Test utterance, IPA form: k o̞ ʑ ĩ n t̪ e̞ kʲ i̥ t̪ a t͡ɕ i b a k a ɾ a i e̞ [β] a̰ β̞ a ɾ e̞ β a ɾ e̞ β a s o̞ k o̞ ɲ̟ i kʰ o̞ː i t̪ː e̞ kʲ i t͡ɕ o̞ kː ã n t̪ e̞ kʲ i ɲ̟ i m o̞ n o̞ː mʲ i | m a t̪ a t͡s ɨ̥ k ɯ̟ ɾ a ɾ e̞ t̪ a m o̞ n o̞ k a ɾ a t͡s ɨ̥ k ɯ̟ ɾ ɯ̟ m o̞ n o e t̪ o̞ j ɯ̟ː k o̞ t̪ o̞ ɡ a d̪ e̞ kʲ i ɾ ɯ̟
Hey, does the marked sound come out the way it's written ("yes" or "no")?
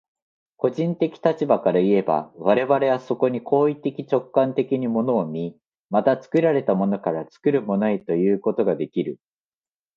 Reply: no